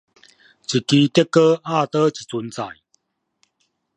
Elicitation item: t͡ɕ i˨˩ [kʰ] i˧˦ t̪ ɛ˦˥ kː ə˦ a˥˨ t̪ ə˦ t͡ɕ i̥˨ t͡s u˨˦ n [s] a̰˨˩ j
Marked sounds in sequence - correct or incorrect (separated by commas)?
incorrect, incorrect